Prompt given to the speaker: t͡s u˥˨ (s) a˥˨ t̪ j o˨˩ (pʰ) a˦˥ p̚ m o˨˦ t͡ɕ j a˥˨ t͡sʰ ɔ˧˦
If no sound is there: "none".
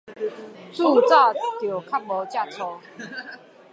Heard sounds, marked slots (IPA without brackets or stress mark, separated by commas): t͡s, kʰ